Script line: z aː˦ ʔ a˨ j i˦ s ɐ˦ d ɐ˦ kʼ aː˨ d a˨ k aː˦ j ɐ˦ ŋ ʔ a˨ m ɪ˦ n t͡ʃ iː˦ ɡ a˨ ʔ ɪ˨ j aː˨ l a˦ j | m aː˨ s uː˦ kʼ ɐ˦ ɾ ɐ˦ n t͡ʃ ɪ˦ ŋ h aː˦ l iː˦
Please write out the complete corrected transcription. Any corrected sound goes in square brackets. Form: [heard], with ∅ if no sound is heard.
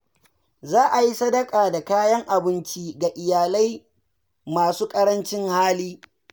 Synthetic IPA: z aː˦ ʔ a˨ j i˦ s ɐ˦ d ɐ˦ kʼ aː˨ d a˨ k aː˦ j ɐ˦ ŋ ʔ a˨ [b] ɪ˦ n t͡ʃ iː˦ ɡ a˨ ʔ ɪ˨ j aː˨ l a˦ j | m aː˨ s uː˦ kʼ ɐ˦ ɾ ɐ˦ n t͡ʃ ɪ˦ ŋ h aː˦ l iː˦